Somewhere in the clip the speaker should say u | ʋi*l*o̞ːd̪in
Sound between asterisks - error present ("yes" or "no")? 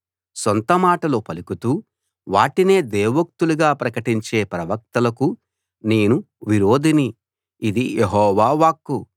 yes